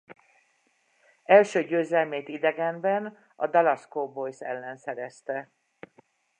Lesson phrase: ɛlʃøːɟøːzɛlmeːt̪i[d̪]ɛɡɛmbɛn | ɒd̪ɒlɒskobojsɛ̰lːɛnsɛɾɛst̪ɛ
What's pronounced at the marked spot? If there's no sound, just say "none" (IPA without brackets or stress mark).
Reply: d̪